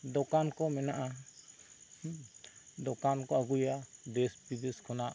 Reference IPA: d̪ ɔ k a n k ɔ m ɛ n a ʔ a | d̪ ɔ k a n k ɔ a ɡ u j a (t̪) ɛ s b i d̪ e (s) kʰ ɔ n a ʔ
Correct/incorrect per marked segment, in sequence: incorrect: d̪, correct

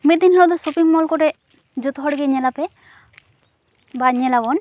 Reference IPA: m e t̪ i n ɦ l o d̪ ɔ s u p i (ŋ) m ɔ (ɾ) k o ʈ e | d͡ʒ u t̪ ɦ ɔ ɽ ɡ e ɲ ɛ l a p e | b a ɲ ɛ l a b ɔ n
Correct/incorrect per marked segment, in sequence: correct, incorrect: l

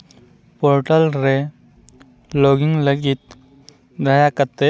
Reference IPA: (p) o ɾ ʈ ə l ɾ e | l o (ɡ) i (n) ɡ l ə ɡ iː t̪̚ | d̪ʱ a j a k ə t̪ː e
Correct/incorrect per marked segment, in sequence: correct, correct, incorrect: ŋ

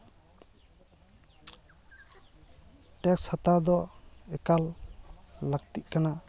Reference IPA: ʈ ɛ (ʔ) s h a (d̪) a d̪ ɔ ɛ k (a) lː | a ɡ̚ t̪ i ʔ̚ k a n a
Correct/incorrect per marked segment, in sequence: incorrect: k, incorrect: t̪, correct

